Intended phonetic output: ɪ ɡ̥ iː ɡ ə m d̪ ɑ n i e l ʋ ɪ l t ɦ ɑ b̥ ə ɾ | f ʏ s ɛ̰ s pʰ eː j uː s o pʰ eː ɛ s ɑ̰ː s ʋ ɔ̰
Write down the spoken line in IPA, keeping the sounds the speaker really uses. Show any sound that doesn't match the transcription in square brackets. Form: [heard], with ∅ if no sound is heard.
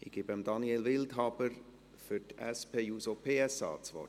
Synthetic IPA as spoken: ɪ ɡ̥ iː [b] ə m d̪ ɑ n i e l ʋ ɪ l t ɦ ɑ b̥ ə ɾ | f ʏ [t] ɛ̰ s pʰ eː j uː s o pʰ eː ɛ s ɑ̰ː [t͡s] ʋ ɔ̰